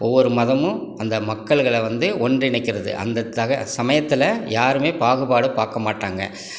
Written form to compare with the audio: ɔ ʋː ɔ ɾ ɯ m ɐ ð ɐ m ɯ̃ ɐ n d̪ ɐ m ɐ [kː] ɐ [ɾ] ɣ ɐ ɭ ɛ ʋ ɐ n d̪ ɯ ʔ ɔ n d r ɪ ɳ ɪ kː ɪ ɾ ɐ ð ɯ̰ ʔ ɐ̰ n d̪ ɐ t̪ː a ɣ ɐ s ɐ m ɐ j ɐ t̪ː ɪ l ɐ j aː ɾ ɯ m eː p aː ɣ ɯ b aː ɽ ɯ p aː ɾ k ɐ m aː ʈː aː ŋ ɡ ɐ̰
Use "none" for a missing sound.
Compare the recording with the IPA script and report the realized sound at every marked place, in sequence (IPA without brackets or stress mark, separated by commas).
kː, ɭ